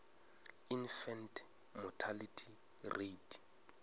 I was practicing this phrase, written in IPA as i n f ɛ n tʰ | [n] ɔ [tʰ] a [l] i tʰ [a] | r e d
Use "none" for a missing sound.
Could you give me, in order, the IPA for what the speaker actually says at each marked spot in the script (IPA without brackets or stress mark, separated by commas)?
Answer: m, tʰ, l, i